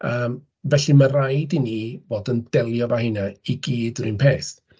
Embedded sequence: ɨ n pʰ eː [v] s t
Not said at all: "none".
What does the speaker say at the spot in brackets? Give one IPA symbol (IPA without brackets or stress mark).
none